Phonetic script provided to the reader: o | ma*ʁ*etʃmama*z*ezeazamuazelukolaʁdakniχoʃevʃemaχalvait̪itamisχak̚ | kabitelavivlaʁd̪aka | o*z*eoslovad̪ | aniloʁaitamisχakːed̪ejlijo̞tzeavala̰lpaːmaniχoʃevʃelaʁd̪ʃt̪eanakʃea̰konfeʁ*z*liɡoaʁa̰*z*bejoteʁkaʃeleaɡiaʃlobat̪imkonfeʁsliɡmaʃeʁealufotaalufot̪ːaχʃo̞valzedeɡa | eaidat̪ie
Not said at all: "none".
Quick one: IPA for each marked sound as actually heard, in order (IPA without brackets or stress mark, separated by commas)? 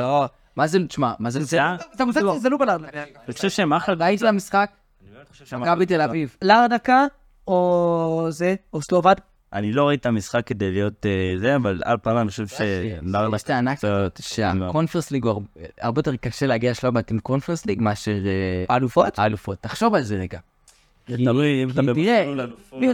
z, z, z, s, ʁ